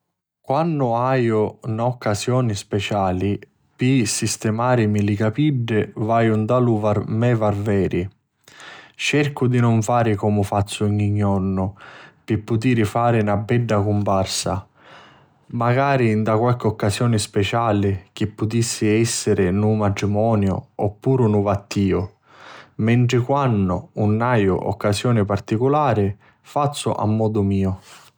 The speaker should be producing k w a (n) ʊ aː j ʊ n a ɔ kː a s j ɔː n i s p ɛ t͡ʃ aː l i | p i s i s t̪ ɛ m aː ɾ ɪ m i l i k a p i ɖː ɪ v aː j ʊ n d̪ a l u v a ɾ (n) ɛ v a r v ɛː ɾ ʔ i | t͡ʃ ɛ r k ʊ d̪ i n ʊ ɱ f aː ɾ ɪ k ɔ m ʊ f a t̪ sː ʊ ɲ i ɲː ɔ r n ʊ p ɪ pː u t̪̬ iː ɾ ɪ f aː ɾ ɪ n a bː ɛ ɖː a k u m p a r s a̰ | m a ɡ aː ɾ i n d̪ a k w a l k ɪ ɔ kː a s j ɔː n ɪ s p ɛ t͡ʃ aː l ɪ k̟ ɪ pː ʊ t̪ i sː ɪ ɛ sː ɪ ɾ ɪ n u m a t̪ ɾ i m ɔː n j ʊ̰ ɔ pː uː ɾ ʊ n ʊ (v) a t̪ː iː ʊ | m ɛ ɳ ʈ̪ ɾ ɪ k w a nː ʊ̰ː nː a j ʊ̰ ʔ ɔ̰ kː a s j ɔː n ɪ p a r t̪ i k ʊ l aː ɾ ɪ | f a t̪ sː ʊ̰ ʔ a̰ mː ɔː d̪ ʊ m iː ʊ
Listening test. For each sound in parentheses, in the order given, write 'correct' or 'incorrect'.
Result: incorrect: nː, incorrect: m, correct

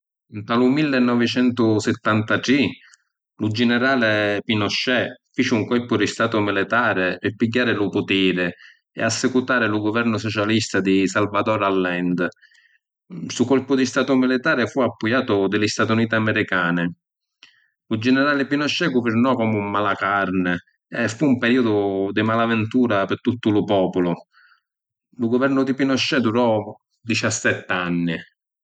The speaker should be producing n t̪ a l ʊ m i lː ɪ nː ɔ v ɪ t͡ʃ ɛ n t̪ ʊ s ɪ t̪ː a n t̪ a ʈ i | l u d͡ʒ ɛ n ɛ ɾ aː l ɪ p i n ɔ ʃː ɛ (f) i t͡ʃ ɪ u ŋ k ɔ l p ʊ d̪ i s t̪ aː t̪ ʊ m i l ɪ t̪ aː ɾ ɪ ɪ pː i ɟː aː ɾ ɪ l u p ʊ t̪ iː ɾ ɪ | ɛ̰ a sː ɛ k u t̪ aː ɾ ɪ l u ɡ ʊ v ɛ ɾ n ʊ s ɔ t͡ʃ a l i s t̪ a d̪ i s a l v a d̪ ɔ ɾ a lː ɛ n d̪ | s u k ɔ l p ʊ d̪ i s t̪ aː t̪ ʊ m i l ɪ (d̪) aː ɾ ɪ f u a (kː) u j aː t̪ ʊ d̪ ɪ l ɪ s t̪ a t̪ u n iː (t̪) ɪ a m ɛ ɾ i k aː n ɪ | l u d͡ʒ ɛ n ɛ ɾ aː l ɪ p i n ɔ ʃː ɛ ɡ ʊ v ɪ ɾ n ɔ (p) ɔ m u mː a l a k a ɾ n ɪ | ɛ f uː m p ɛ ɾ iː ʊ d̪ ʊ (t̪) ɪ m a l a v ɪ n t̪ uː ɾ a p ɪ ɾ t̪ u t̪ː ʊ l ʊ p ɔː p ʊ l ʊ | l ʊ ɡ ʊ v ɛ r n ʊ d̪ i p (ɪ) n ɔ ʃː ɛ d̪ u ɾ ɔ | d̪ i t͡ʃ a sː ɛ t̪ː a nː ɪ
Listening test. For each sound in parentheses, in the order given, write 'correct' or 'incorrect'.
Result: correct, incorrect: t̪, incorrect: pː, correct, incorrect: k, incorrect: d̪, incorrect: i

